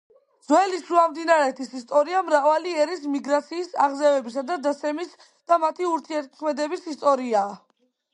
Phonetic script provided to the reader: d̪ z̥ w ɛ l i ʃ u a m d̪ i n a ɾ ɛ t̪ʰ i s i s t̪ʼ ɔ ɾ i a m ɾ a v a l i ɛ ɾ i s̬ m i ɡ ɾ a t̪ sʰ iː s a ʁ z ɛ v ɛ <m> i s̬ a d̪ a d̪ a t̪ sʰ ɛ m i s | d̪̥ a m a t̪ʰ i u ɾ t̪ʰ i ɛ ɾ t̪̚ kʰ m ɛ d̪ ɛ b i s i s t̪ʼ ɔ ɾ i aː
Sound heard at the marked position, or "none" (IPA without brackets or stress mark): b